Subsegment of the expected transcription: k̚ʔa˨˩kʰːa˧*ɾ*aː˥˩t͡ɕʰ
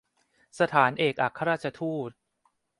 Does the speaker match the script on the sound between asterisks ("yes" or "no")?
yes